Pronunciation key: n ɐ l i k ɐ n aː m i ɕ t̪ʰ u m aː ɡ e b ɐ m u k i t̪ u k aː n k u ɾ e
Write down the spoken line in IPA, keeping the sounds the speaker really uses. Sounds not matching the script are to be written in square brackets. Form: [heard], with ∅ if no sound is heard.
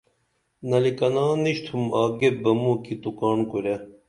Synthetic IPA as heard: n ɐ l i k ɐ n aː [n] i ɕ t̪ʰ u m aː ɡ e b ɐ m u k i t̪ u k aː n k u ɾ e